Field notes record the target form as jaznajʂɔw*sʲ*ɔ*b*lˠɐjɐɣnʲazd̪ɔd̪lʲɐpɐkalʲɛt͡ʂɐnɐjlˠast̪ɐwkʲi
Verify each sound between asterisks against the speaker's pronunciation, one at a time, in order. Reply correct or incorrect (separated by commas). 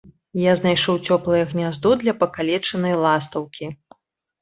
incorrect, incorrect